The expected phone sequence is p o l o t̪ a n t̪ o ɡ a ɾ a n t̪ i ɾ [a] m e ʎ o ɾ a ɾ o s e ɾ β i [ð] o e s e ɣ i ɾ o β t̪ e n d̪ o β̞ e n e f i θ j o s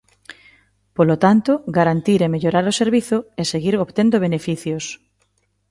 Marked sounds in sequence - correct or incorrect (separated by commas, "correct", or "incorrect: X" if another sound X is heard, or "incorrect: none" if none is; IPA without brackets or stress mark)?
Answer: incorrect: e, incorrect: θ